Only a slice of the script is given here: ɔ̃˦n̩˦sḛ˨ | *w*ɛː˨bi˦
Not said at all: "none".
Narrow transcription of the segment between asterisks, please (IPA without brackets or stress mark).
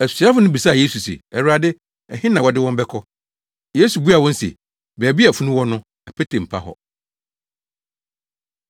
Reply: b